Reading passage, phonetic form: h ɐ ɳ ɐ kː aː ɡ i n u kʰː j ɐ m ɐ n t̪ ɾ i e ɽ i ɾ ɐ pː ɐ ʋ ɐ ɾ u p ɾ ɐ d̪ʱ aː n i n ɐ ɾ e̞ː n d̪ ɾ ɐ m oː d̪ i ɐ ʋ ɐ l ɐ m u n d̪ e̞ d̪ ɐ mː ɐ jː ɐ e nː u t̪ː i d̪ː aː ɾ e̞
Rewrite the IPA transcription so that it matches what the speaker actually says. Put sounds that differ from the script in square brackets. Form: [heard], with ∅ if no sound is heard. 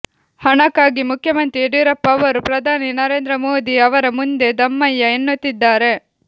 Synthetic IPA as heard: h ɐ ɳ ɐ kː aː ɡ i [m] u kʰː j ɐ m ɐ n t̪ ɾ i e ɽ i ɾ ɐ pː ɐ ʋ ɐ ɾ u p ɾ ɐ d̪ʱ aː n i n ɐ ɾ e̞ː n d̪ ɾ ɐ m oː d̪ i ɐ ʋ ɐ [ɾ] ɐ m u n d̪ e̞ d̪ ɐ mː ɐ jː ɐ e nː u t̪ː i d̪ː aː ɾ e̞